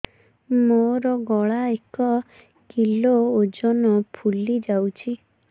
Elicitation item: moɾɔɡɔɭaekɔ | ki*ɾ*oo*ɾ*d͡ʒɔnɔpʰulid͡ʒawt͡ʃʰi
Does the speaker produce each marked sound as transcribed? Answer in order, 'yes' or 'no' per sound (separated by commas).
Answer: no, no